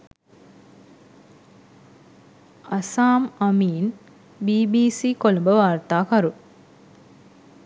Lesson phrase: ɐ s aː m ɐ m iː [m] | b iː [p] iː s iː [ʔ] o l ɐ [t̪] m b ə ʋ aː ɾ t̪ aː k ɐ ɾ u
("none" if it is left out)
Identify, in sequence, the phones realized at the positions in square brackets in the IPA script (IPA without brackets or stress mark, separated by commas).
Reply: n, b, k, none